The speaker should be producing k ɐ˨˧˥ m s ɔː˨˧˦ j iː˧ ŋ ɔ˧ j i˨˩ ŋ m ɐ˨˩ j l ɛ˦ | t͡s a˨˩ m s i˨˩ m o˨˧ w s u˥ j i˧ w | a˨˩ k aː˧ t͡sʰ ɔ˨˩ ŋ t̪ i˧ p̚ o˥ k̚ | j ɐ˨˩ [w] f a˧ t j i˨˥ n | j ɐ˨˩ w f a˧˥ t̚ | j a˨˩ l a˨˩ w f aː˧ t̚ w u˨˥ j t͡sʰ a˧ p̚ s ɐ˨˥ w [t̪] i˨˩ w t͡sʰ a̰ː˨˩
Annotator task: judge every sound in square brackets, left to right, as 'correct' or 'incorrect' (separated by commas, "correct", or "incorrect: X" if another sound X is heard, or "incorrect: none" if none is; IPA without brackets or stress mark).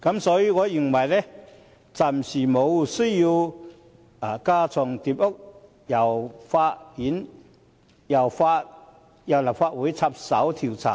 correct, incorrect: t̪ʰ